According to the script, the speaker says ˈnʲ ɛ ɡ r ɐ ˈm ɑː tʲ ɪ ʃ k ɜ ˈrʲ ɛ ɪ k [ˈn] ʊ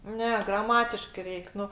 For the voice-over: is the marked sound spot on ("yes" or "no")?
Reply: yes